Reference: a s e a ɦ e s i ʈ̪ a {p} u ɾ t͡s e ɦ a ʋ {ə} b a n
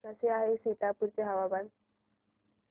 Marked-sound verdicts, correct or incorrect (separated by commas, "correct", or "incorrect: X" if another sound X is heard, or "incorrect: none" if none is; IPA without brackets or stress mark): correct, incorrect: a